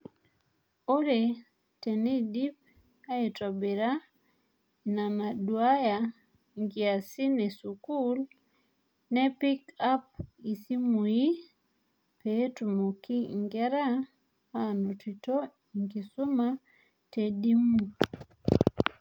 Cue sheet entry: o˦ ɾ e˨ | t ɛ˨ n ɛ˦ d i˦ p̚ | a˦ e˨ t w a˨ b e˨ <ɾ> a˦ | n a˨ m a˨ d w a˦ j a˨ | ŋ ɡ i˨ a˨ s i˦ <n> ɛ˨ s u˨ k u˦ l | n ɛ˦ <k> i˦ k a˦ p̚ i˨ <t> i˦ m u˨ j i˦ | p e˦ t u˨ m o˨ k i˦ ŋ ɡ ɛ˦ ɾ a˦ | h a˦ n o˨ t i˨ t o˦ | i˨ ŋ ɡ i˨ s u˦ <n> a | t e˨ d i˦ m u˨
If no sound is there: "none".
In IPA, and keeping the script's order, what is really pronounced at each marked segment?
ɾ, n, p, s, m

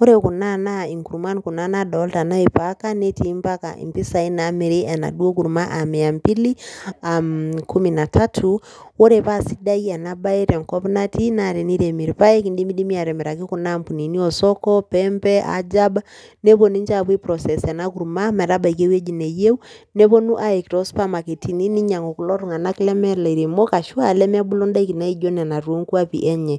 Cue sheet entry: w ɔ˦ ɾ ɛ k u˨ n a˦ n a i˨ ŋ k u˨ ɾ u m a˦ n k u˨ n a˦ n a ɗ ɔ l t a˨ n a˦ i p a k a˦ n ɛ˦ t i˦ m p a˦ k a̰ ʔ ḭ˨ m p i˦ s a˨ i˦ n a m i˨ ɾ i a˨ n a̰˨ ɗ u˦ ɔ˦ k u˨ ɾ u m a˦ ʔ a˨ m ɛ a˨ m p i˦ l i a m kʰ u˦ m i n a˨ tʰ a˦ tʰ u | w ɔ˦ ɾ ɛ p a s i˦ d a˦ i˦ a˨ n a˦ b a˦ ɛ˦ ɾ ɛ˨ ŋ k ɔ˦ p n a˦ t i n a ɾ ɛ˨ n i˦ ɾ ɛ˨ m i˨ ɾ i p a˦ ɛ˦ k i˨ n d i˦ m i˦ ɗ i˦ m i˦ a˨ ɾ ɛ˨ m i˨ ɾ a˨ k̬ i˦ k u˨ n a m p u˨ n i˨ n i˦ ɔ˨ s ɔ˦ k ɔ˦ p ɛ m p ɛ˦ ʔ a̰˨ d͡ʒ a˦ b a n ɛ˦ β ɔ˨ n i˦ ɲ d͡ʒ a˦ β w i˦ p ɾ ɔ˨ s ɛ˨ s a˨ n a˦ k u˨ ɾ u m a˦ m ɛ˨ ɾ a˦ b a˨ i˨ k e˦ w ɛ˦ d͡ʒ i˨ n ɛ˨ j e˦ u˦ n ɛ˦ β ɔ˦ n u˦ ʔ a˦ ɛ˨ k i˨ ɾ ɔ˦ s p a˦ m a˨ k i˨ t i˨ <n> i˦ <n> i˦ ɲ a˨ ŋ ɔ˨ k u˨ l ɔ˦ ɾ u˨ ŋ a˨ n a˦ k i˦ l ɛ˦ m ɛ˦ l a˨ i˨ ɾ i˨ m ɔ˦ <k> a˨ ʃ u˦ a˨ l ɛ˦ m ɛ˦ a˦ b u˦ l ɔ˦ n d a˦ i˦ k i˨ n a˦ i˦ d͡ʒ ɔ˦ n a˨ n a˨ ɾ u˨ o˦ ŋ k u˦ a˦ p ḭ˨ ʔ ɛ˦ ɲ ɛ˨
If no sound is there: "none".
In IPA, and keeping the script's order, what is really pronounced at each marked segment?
n, n, k

